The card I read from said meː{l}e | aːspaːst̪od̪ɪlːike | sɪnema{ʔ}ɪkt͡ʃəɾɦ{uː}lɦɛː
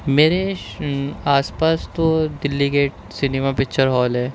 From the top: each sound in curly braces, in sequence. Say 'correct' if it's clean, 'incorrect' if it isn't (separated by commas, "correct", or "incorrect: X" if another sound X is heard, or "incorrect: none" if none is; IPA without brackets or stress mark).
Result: incorrect: ɾ, incorrect: p, incorrect: ɔː